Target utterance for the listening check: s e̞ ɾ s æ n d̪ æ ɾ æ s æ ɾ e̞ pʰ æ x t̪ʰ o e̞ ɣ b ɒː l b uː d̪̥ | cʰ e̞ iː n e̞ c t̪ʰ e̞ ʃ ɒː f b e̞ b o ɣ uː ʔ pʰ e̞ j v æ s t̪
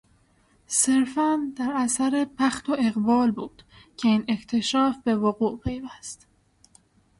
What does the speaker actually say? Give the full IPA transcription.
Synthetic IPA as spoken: s e̞ ɾ f æ n d̪ æ ɾ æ s æ ɾ e̞ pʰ æ x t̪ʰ o e̞ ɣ b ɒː l b uː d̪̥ | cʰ e̞ iː n e̞ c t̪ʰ e̞ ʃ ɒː f b e̞ v o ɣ uː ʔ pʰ e̞ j v æ s t̪